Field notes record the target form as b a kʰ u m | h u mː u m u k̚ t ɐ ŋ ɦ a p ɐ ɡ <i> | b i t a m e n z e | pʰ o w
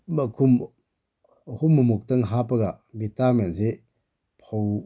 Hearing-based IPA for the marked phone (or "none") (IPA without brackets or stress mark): a